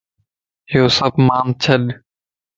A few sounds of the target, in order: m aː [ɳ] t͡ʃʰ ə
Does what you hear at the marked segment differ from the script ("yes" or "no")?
yes